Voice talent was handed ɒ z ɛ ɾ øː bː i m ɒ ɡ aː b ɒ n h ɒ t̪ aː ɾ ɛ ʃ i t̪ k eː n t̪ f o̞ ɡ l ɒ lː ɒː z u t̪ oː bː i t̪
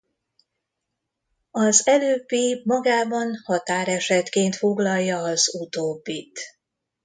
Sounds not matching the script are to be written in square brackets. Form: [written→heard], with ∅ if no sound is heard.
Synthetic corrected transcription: ɒ z ɛ [ɾ→l] øː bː i m ɒ ɡ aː b ɒ n h ɒ t̪ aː ɾ ɛ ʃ [i→ɛ] t̪ k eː n t̪ f o̞ ɡ l ɒ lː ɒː z u t̪ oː bː i t̪